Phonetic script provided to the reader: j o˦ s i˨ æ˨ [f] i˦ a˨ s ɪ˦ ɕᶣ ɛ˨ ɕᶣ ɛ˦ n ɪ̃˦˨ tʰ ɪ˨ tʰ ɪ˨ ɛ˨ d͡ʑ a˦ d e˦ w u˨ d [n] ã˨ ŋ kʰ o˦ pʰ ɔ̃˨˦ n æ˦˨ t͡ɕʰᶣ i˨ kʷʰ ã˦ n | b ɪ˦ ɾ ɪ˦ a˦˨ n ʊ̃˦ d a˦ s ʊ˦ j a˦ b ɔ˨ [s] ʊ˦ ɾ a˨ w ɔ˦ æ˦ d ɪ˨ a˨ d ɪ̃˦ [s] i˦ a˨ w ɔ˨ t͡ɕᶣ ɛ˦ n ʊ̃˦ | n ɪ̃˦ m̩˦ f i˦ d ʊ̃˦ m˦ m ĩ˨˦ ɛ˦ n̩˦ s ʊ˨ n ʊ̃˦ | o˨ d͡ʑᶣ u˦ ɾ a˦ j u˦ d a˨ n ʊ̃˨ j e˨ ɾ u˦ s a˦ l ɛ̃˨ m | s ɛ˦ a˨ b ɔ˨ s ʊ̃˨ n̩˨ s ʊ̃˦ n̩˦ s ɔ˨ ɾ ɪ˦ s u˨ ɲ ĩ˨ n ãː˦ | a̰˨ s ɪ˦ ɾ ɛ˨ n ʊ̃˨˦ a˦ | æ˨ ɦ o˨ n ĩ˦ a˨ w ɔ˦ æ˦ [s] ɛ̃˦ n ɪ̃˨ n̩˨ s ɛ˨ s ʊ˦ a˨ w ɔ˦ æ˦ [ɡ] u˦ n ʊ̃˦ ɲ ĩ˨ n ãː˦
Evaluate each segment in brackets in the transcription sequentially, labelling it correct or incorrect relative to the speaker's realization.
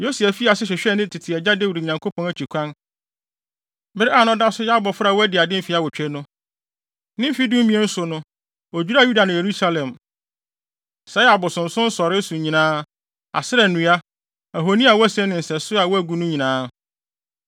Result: correct, incorrect: ɲ, incorrect: f, incorrect: f, correct, correct

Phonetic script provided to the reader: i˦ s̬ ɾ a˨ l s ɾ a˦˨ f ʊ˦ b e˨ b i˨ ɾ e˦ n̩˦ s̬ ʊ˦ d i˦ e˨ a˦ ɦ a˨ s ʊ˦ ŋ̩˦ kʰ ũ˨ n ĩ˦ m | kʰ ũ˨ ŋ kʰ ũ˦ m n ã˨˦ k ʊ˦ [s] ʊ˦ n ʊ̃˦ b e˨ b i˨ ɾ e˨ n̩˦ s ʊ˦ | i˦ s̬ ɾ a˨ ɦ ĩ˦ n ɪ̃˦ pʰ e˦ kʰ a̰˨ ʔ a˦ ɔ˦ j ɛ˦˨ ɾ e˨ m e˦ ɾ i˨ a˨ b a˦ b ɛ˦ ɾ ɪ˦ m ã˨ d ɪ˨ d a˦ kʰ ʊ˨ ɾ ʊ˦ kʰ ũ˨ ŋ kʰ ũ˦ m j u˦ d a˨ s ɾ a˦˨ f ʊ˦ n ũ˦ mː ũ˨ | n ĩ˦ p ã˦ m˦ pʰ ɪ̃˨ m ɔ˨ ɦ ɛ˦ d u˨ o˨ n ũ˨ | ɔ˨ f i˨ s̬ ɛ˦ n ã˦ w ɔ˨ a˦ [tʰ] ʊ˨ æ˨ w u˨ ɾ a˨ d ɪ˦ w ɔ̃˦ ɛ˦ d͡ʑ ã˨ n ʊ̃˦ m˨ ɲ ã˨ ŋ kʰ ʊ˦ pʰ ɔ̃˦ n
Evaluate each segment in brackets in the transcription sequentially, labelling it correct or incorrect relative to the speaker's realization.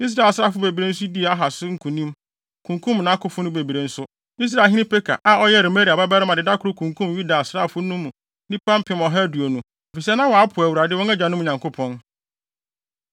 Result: incorrect: f, incorrect: pʰ

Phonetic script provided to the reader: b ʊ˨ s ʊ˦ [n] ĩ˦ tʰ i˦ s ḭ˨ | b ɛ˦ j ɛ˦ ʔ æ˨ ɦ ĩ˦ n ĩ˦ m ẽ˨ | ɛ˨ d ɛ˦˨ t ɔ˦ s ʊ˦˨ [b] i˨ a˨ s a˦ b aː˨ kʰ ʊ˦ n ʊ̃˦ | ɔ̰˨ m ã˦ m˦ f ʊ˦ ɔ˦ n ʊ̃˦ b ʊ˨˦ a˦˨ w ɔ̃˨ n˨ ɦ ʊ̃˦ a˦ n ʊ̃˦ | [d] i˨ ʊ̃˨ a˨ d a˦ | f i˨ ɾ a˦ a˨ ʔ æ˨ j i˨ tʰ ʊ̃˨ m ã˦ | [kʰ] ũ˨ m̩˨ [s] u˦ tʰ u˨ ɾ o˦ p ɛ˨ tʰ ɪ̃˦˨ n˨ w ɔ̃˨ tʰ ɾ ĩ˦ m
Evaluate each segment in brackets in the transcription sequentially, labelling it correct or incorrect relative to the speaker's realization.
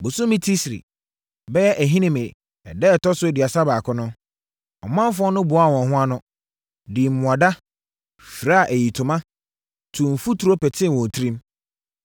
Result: incorrect: m, incorrect: d, correct, incorrect: tʰ, incorrect: f

